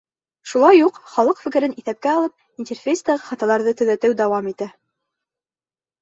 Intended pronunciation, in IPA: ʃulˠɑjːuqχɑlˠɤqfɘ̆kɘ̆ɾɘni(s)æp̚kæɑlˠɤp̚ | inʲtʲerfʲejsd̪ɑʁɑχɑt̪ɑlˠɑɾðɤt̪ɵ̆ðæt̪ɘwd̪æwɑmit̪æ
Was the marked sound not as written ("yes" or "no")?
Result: yes